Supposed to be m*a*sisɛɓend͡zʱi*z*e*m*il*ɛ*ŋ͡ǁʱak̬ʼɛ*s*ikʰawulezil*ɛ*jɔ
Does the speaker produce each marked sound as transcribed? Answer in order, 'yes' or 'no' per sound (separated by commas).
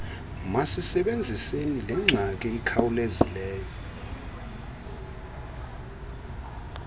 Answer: yes, no, no, yes, no, no